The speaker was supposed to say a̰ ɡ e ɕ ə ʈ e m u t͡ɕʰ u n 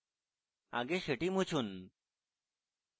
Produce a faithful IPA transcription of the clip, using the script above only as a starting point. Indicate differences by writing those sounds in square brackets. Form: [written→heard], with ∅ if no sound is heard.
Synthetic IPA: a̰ ɡ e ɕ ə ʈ [e→i] m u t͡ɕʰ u n